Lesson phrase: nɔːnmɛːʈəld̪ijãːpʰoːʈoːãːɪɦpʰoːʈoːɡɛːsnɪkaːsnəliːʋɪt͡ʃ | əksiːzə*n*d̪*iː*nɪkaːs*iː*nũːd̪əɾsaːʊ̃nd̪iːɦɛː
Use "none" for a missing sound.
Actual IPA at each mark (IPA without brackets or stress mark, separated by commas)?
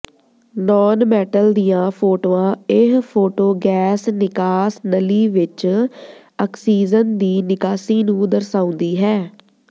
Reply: n, iː, iː